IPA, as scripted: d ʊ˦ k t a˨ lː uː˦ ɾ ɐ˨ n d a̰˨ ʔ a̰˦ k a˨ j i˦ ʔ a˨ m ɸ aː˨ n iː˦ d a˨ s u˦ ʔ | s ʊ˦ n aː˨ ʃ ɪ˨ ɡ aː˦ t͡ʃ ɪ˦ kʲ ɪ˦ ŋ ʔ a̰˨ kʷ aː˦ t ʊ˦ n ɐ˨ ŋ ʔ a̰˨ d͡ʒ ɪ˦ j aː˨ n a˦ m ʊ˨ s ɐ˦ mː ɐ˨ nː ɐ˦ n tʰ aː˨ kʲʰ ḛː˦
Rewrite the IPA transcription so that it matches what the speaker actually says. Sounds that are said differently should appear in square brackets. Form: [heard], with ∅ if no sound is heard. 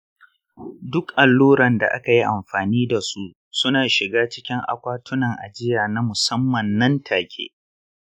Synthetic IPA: d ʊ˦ k [ʔ] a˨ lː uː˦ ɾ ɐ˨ n d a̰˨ ʔ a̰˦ k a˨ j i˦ ʔ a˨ m ɸ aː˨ n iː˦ d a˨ s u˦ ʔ | s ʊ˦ n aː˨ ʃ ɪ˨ ɡ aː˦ t͡ʃ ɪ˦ kʲ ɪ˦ ŋ ʔ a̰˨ kʷ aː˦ t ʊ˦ n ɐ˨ ŋ ʔ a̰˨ d͡ʒ ɪ˦ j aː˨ n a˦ m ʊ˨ s ɐ˦ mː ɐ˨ nː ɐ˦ n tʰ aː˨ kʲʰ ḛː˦